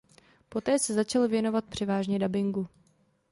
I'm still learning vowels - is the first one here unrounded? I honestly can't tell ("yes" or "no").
no